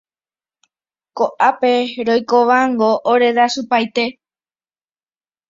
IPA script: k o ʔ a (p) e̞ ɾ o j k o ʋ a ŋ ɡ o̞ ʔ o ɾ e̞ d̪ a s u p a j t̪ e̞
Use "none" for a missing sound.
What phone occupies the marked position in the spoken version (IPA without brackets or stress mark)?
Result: p